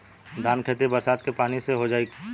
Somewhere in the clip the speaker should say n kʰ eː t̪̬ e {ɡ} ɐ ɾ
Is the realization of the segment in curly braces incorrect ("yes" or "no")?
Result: yes